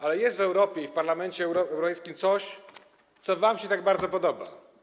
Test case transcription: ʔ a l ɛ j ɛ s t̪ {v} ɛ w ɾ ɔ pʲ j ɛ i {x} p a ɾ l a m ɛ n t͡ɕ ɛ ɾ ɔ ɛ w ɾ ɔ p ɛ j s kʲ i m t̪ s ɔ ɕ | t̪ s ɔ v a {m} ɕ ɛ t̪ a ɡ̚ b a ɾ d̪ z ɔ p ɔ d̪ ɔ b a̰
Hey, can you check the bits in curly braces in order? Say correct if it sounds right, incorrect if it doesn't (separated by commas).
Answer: correct, incorrect, correct